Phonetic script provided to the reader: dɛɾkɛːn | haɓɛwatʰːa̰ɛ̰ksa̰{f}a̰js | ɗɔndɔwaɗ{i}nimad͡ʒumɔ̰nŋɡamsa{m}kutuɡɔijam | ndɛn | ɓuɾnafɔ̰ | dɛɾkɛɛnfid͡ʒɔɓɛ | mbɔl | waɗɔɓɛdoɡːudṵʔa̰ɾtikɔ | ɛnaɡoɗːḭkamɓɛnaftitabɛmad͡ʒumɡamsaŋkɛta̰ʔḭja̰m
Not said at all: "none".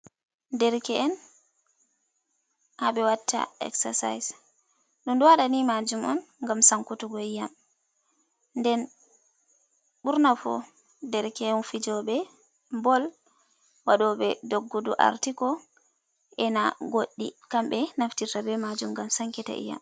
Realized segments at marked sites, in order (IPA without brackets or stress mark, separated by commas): s, a, ŋ